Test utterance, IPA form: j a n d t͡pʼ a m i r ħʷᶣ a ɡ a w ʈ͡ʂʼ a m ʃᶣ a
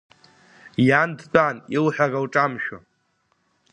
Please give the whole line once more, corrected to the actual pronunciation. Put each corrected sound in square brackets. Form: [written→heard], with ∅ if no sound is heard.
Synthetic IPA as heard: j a n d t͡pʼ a [m→n] i [r→l] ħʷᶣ a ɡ a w ʈ͡ʂʼ a m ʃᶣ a